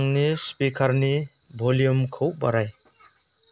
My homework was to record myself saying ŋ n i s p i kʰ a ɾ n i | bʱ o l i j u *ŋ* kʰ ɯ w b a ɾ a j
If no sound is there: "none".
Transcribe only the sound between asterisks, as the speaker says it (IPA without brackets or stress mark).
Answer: m